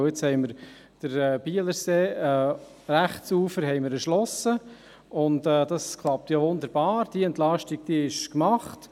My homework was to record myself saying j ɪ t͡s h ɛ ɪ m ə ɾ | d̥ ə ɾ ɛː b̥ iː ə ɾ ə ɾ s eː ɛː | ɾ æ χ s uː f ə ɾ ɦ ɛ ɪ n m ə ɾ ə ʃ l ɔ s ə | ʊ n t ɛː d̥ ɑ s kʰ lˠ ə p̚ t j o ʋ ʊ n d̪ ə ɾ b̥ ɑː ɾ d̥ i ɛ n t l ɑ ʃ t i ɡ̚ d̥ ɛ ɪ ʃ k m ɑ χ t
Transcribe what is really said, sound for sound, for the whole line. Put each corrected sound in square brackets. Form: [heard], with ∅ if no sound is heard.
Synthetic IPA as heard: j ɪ t͡s h ɛ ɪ m ə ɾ | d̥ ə ɾ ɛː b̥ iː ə [l] ə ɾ s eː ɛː | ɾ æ χ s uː f ə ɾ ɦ ɛ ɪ [∅] m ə ɾ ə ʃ l ɔ s ə | ʊ n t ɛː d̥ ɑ s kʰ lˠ [ɑ] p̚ t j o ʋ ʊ n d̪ ə ɾ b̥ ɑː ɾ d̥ i ɛ n t l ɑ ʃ t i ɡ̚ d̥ [i] ɪ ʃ k m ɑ χ t